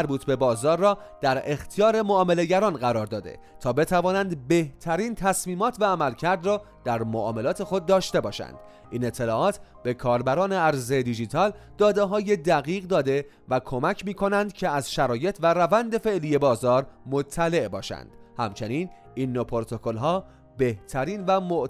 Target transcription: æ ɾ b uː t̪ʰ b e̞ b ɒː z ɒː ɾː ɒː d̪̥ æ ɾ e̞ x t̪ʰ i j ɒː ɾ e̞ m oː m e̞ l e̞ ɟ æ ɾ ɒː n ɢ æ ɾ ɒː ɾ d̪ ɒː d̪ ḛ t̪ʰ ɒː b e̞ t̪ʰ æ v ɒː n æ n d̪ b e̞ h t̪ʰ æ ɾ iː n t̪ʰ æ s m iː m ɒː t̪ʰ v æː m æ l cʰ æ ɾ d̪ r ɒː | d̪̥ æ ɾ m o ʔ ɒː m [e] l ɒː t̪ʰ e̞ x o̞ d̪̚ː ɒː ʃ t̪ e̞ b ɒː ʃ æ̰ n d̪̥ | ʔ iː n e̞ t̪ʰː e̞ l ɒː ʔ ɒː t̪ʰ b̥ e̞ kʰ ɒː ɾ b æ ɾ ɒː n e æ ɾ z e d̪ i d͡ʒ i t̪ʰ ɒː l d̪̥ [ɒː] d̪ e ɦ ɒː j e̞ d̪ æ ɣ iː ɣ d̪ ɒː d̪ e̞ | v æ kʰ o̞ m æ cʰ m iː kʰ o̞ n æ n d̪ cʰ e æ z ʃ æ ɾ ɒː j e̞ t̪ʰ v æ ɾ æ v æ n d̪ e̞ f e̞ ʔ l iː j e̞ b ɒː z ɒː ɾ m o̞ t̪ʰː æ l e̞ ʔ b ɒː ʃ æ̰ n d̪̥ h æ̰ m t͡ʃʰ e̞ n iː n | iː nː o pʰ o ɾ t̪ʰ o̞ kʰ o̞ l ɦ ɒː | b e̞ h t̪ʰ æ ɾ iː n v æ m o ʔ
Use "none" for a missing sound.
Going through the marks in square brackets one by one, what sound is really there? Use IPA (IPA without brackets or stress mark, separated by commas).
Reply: e, ɒː